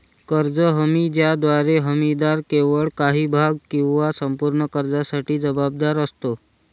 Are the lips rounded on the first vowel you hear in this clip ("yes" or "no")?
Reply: no